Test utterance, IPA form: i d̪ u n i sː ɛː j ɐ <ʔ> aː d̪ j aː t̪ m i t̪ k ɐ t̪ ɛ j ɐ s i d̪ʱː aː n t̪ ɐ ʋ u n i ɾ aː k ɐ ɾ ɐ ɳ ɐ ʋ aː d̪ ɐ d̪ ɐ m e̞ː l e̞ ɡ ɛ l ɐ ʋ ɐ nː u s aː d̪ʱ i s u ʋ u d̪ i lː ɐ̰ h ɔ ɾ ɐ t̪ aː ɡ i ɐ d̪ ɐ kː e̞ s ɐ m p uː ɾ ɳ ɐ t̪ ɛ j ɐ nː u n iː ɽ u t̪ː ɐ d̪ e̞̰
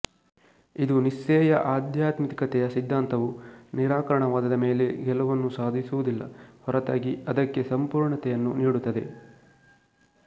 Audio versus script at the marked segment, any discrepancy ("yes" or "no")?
no